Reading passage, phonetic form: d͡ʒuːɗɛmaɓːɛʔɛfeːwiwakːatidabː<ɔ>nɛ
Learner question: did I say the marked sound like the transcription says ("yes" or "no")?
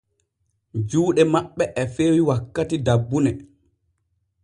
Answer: no